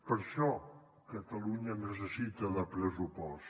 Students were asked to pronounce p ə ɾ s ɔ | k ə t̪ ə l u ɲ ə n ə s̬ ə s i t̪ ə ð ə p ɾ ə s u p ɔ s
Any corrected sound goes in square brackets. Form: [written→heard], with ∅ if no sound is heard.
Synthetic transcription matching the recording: p ə ɾ [s→ʃ] ɔ | k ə t̪ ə l u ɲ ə n ə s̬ ə s i t̪ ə ð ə p ɾ ə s u p ɔ s